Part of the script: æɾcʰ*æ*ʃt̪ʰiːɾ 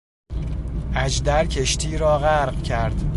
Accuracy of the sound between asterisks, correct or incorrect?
incorrect